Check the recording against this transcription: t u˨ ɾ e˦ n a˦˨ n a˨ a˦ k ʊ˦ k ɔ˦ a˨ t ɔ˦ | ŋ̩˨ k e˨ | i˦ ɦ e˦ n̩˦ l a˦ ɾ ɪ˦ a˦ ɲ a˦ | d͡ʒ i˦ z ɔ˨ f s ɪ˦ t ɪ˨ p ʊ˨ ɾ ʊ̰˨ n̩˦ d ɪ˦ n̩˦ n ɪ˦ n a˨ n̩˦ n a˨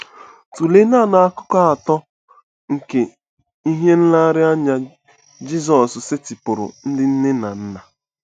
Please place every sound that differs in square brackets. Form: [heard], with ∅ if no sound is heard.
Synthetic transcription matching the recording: t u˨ [l] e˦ n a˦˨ n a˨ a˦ k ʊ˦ k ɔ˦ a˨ t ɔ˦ | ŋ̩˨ k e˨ | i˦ ɦ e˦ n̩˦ l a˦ ɾ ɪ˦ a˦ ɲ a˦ | d͡ʒ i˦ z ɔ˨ [s] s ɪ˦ t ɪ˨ p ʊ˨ ɾ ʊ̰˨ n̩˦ d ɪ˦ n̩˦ n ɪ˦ n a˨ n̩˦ n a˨